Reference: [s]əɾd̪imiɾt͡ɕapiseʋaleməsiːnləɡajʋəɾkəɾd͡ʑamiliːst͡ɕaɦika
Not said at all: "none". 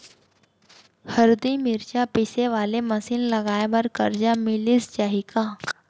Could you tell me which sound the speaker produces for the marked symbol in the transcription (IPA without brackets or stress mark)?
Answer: h